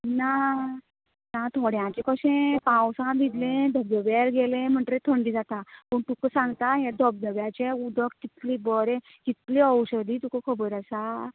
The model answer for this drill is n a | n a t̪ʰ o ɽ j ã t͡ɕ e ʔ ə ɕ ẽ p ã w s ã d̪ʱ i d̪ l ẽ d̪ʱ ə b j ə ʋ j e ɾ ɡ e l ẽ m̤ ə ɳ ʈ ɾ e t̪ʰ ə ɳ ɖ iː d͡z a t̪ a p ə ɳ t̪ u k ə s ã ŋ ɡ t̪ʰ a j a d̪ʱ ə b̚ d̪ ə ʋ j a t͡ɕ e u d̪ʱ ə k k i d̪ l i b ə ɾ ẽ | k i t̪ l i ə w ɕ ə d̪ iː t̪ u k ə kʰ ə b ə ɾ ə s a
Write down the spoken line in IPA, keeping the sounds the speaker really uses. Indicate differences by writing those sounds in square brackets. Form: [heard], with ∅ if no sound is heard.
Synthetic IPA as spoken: n a | n a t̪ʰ o ɽ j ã t͡ɕ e [k] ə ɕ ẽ p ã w s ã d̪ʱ i d̪ l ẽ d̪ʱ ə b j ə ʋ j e ɾ ɡ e l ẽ m̤ ə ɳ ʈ ɾ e t̪ʰ ə ɳ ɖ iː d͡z a t̪ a p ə ɳ t̪ u k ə s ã ŋ ɡ [t̪] a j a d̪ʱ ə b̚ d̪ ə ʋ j a t͡ɕ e u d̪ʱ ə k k i [t̪] l i b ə ɾ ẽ | k i t̪ l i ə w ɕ ə d̪ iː t̪ u k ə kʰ ə b ə ɾ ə s a